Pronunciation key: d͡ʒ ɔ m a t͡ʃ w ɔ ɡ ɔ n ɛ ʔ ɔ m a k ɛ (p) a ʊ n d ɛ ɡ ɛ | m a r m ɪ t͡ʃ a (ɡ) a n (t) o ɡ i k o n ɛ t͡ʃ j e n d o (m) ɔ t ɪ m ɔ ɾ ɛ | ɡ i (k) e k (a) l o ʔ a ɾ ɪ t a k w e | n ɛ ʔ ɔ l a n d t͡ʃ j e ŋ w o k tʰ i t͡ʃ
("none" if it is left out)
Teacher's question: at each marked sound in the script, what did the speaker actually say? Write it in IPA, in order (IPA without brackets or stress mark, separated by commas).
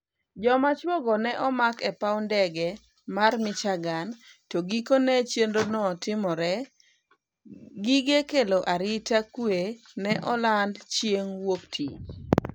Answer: p, ɡ, t, n, ɡ, e